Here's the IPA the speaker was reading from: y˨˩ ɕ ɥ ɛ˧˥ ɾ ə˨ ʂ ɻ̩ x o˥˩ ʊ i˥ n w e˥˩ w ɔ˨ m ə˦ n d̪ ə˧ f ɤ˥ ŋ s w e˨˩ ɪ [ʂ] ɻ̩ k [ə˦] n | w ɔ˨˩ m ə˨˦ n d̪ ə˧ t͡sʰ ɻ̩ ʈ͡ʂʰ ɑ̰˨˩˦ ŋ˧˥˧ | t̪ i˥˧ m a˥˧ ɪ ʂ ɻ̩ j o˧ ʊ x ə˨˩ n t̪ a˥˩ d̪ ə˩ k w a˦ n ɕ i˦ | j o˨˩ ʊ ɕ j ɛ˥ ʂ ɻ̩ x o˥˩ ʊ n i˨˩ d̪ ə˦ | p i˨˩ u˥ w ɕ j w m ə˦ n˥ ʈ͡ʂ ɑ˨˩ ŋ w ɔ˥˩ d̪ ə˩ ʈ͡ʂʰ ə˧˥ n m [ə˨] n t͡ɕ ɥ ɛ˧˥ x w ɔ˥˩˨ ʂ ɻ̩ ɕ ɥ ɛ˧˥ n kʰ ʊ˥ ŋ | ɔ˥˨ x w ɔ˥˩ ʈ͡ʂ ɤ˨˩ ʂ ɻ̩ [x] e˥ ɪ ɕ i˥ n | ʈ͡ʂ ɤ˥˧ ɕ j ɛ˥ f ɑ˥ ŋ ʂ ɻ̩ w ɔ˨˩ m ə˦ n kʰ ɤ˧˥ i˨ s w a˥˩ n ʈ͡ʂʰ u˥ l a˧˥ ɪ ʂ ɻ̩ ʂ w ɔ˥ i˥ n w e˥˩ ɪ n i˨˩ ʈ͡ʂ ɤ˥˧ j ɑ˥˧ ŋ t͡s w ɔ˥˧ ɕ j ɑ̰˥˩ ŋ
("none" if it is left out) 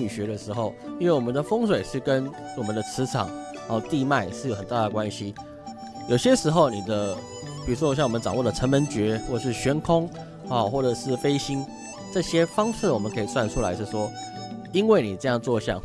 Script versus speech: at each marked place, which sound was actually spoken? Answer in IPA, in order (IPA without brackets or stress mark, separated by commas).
ʂ, ə˦, ə˧˦, f